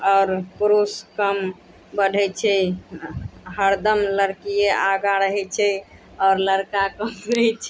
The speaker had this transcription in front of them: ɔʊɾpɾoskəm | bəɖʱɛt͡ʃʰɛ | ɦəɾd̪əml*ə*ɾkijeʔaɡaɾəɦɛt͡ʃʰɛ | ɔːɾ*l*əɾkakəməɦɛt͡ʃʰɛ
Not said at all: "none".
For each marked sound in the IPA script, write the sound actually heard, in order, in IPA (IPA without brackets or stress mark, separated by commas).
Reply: ə, l